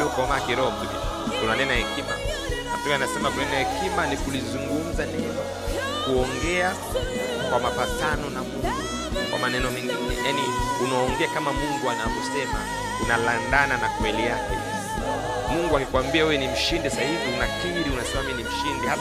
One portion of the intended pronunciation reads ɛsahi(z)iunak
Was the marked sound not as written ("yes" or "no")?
yes